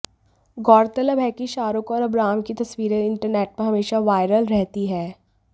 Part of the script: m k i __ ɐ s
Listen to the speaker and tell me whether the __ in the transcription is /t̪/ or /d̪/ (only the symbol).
t̪